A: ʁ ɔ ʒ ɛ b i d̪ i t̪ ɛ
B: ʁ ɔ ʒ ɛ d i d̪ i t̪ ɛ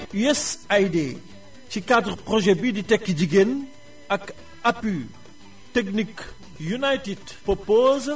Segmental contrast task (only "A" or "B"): A